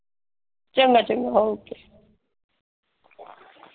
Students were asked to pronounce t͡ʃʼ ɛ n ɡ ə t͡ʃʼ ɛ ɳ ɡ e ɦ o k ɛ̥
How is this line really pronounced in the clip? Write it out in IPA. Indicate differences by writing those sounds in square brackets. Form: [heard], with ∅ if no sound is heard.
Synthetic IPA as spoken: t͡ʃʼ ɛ [ŋ] ɡ [a] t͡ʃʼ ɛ [ŋ] ɡ [a] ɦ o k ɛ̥